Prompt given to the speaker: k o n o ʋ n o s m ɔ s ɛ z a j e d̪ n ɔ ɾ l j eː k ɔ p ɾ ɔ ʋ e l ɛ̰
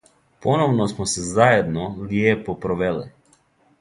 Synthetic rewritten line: p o n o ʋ n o s m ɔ s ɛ z a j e d̪ n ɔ l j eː p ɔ p ɾ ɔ ʋ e l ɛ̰